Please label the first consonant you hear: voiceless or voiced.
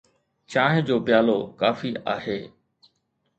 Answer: voiceless